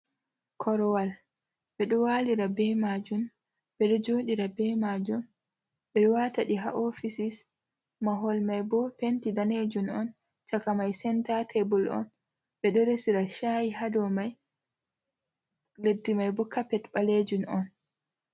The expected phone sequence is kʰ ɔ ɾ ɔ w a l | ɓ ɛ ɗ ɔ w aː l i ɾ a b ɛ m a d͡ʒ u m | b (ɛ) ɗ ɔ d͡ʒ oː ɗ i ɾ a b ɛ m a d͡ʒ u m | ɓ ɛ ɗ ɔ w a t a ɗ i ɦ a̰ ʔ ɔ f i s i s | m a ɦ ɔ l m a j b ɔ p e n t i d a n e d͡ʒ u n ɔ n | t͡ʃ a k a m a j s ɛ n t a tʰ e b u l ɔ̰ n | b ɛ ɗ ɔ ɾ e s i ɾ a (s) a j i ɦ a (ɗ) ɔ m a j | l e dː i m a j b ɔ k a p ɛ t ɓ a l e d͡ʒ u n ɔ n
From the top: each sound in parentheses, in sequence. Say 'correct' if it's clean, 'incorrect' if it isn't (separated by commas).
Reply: correct, incorrect, incorrect